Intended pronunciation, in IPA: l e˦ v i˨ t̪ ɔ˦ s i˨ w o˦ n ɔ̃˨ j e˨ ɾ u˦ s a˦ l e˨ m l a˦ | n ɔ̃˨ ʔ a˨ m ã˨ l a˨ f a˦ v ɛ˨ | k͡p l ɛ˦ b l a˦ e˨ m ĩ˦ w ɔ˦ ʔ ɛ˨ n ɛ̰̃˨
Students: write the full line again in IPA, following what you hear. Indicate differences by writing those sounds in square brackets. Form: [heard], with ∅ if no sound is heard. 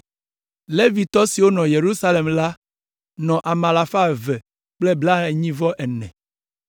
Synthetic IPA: l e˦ v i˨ t̪ ɔ˦ s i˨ w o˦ n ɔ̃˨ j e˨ ɾ u˦ s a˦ l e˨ m l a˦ | n ɔ̃˨ ʔ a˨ m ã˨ l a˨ f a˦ v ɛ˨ | k͡p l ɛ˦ b l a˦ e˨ [ɲ] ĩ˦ [v] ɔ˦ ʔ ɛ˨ n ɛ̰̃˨

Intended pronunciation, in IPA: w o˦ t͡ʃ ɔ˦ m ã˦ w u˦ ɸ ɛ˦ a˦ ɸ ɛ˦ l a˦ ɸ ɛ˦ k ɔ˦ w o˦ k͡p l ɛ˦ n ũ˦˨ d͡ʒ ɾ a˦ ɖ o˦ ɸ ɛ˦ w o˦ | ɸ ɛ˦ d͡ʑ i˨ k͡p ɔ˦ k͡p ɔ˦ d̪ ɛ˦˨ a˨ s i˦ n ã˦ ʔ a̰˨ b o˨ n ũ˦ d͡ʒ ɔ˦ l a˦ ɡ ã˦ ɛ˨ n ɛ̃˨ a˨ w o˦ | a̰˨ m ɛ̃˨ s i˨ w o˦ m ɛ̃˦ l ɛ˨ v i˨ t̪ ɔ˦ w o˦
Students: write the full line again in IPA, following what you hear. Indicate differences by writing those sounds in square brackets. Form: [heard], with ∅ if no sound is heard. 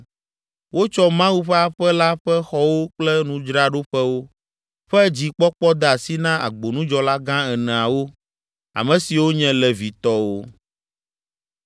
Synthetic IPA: w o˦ t͡ʃ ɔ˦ m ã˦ w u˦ ɸ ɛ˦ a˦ ɸ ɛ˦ l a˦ ɸ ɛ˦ [x] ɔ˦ w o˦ k͡p l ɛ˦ n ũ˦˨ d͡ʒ ɾ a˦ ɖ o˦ ɸ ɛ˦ w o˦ | ɸ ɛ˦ d͡ʑ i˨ k͡p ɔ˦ k͡p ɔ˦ d̪ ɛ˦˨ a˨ s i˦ n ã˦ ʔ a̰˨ [ɡ͡b] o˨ n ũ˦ d͡ʒ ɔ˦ l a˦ ɡ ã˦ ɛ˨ n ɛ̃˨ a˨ w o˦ | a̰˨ m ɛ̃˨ s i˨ w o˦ [ɲ] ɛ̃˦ l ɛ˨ v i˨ t̪ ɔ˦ w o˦

